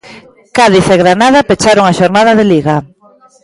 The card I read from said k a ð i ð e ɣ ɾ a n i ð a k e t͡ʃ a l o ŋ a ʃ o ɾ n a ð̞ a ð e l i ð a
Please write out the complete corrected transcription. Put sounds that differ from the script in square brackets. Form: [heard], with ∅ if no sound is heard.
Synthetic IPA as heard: k a ð i [θ] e ɣ ɾ a n [a] ð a [p] e t͡ʃ a [ɾ] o ŋ a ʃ o ɾ n a ð̞ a ð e l i [ɣ] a